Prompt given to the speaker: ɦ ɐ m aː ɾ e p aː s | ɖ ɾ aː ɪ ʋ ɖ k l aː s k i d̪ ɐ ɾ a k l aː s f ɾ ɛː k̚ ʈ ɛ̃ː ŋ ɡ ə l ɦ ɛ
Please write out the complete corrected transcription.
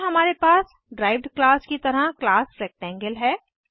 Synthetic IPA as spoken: ɦ ɐ m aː ɾ e p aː s | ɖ ɾ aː ɪ ʋ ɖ k l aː s k i t̪ ɐ ɾ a k l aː s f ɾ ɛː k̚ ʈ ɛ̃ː ŋ ɡ ə l ɦ ɛː